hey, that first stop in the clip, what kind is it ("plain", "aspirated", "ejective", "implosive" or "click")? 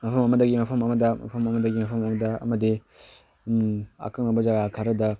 aspirated